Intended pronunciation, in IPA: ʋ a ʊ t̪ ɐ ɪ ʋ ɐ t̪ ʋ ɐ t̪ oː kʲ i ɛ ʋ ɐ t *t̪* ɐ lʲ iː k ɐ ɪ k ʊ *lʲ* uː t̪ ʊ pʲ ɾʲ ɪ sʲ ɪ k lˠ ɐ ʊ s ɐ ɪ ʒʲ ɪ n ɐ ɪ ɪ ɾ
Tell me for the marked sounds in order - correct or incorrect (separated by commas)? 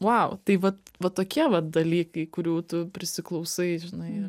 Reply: incorrect, incorrect